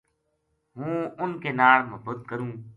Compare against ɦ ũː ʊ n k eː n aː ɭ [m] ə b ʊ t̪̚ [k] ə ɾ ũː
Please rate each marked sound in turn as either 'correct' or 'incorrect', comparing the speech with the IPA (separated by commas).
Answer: correct, correct